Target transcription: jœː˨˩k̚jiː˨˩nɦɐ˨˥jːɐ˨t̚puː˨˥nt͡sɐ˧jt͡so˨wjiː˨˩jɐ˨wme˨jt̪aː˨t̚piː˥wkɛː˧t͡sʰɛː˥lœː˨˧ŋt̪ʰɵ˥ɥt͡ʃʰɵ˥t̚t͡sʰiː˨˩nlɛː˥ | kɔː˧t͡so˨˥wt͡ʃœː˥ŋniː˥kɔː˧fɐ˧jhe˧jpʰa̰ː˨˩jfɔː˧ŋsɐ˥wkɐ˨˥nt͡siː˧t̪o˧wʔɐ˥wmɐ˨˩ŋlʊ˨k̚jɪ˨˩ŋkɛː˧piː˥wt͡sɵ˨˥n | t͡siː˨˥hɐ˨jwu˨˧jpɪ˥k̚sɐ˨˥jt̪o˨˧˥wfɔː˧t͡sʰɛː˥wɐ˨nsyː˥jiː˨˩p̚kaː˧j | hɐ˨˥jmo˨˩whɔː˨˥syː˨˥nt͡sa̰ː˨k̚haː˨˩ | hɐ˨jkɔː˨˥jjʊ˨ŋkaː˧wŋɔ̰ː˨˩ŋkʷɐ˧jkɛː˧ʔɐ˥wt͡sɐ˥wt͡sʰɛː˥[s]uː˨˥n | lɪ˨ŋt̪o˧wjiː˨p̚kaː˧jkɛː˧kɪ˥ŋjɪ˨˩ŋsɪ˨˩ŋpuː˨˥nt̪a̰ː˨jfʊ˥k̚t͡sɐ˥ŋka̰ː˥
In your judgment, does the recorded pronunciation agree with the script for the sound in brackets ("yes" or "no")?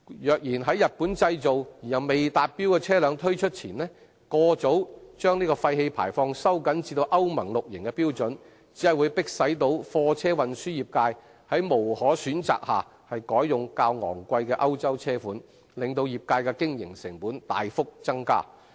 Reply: no